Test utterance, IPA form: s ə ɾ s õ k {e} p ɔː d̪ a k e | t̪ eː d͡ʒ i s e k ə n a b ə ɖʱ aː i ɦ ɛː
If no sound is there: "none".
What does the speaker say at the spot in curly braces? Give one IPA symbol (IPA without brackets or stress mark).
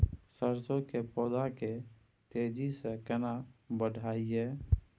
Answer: e